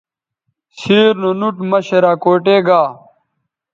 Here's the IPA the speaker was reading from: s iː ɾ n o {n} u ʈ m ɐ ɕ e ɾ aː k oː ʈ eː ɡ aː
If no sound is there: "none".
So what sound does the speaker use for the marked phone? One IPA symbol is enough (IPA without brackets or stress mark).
n